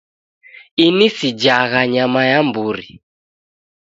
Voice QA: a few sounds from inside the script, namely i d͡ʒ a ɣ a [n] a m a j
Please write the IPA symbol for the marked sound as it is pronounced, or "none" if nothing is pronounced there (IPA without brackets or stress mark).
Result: ɲ